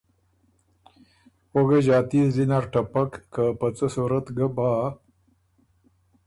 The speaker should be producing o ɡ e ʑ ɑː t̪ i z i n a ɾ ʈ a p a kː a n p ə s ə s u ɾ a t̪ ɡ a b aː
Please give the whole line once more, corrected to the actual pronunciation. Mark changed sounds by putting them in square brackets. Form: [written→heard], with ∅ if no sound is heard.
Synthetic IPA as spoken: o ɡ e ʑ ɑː t̪ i z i n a ɾ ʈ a p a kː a [n→∅] p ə [s→t͡s] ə s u ɾ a t̪ ɡ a b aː